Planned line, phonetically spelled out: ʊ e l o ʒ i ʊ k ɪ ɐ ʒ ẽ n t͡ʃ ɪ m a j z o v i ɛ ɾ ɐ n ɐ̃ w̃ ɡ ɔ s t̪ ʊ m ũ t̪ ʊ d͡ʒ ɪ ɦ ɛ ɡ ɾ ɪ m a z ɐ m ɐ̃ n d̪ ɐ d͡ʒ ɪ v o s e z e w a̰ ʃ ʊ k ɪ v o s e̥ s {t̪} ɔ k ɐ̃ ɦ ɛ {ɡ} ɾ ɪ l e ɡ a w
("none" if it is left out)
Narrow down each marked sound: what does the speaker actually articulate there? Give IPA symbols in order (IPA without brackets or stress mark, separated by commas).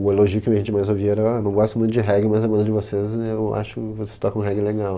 t̪, ɡ